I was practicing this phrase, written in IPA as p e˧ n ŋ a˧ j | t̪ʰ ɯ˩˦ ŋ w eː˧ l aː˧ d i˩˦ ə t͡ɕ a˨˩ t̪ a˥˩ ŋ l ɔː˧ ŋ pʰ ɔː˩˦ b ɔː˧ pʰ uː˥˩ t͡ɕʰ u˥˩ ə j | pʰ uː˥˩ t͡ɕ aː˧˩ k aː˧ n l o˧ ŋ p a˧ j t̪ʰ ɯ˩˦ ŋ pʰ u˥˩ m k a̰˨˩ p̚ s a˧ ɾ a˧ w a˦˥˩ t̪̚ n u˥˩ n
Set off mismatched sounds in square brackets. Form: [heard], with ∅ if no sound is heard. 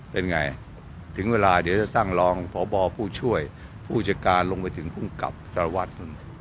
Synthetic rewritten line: p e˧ n ŋ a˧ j | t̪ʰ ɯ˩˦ ŋ w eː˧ l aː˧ d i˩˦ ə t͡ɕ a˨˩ t̪ a˥˩ ŋ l ɔː˧ ŋ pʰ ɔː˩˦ b ɔː˧ pʰ uː˥˩ t͡ɕʰ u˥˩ ə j | pʰ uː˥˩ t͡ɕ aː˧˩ k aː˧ n l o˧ ŋ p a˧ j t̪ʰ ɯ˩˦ ŋ pʰ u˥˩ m k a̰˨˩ p̚ s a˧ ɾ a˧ w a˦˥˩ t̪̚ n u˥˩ n